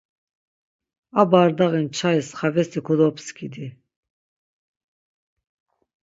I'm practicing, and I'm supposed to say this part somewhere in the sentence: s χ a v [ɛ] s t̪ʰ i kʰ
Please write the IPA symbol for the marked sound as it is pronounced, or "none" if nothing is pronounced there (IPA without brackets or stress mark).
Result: ɛ